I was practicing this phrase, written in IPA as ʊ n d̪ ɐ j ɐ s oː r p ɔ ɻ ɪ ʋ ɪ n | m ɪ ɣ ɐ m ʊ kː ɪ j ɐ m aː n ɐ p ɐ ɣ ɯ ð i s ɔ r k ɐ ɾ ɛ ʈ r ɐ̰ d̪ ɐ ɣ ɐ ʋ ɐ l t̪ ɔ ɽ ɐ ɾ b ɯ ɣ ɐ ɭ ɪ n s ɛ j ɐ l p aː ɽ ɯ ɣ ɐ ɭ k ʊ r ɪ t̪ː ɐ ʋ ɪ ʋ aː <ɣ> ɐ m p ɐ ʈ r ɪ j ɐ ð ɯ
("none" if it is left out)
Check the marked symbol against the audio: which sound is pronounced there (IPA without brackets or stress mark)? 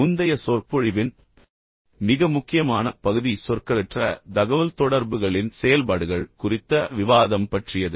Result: ð